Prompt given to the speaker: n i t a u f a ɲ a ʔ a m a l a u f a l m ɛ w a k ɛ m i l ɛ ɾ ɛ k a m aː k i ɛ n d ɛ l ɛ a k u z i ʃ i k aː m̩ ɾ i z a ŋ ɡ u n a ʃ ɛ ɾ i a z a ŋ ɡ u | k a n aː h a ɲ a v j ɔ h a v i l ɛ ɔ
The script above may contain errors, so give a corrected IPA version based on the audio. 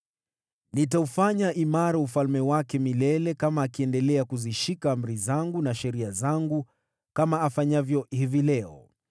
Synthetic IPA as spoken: n i t a u f a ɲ a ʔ i m a ɾ a u f a l m ɛ w a k ɛ m i l ɛ l ɛ k a m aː k i ɛ n d ɛ l ɛ a k u z i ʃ i k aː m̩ ɾ i z a ŋ ɡ u n a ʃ ɛ ɾ i a z a ŋ ɡ u | k a m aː f a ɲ a v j ɔ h i v i l ɛ ɔ

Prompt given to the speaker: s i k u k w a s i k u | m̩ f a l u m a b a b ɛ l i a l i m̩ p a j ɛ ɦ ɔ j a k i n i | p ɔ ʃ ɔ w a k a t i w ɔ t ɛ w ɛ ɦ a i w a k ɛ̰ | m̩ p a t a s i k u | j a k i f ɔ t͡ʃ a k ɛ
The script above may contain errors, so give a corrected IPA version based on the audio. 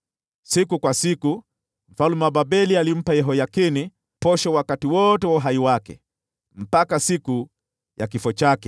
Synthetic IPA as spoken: s i k u k w a s i k u | m̩ f a l u m a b a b ɛ l i a l i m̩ p a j ɛ ɦ ɔ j a k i n i | p ɔ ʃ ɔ w a k a t i w ɔ t ɛ w a ɦ a i w a k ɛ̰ | m̩ p a k a s i k u | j a k i f ɔ t͡ʃ a k ɛ

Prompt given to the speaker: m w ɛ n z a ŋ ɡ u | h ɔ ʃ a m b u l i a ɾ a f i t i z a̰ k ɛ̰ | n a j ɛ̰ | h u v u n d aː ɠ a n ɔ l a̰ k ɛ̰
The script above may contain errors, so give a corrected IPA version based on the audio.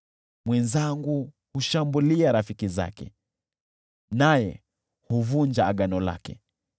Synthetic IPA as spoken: m w ɛ n z a ŋ ɡ u | h u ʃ a m b u l i a ɾ a f i k i z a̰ k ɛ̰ | n a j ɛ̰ | h u v u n d͡ʒ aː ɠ a n ɔ l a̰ k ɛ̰

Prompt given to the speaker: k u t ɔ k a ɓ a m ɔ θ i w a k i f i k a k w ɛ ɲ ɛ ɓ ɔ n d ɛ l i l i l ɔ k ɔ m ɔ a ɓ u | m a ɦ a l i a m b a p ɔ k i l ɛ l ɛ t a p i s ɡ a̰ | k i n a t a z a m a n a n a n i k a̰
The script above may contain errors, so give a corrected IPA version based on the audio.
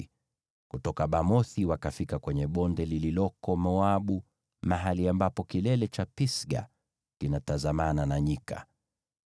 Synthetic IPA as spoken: k u t ɔ k a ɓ a m ɔ θ i w a k a f i k a k w ɛ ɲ ɛ ɓ ɔ n d ɛ l i l i l ɔ k ɔ m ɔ a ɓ u | m a ɦ a l i a m b a p ɔ k i l ɛ l ɛ t͡ʃ a p i s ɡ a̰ | k i n a t a z a m a n a n a ɲ i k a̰

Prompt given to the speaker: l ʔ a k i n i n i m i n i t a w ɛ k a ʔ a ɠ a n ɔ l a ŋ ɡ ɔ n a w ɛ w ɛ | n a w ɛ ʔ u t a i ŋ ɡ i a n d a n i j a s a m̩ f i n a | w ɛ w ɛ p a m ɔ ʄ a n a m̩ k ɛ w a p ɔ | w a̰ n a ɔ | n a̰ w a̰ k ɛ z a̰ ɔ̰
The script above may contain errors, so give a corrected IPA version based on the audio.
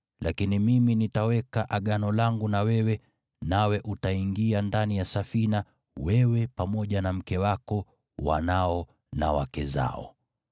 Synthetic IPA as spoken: l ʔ a k i n i m i m i n i t a w ɛ k a ʔ a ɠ a n ɔ l a ŋ ɡ u n a w ɛ w ɛ | n a w ɛ ʔ u t a i ŋ ɡ i a n d a n i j a s a f i n a | w ɛ w ɛ p a m ɔ ʄ a n a m̩ k ɛ w a k ɔ | w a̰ n a ɔ | n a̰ w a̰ k ɛ z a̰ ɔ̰

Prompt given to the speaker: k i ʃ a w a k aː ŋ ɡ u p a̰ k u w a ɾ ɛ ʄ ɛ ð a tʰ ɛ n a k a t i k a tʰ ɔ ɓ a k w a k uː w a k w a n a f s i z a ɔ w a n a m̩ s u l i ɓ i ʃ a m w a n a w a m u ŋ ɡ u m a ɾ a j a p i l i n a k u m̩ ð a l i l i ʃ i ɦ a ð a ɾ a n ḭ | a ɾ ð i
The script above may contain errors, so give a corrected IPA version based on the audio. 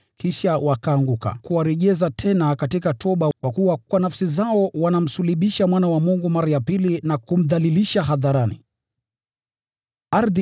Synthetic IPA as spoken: k i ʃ a w a k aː ŋ ɡ u k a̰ k u w a ɾ ɛ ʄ ɛ z a tʰ ɛ n a k a t i k a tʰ ɔ ɓ a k w a k u w a k w a n a f s i z a ɔ w a n a m̩ s u l i ɓ i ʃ a m w a n a w a m u ŋ ɡ u m a ɾ a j a p i l i n a k u m̩ ð a l i l i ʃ a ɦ a ð a ɾ a n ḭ | a ɾ ð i

